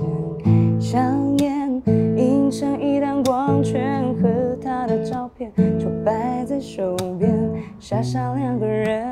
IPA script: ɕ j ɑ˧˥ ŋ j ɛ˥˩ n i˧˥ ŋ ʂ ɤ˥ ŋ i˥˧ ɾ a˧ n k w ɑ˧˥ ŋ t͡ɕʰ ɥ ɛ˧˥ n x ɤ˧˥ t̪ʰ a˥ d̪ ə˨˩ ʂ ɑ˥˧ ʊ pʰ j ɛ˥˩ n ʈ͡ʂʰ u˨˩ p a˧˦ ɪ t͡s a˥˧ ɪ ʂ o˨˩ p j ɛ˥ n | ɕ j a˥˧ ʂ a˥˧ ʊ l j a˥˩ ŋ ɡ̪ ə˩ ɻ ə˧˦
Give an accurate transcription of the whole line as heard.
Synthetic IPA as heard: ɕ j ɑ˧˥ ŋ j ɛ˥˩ n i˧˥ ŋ ʂ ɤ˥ ŋ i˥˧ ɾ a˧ n k w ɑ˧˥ ŋ t͡ɕʰ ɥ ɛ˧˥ n x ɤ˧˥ t̪ʰ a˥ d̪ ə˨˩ ʈ͡ʂ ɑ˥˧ ʊ pʰ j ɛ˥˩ n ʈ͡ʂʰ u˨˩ p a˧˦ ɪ t͡s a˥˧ ɪ ʂ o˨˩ p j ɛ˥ n | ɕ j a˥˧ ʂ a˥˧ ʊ l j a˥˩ ŋ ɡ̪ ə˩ ɻ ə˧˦